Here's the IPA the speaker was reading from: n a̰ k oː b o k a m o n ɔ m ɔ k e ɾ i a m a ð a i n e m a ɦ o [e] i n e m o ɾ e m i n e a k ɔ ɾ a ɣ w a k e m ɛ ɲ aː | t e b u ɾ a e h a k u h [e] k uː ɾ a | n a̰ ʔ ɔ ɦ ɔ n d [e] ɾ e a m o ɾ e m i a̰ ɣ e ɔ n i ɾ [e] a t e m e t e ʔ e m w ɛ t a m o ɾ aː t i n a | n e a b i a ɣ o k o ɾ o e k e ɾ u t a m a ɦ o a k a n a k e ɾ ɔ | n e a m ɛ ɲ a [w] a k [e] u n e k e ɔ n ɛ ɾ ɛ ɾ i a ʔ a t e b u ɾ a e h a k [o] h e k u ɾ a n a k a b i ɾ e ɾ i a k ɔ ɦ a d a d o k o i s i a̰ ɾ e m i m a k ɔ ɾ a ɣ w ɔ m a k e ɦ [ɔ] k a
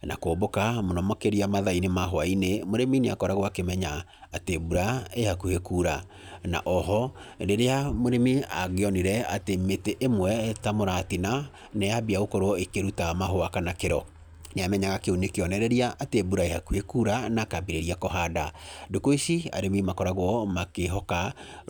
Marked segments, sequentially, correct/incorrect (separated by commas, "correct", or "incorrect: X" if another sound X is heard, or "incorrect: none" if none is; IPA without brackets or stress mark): incorrect: a, correct, correct, incorrect: ɛ, incorrect: ɣ, correct, incorrect: u, correct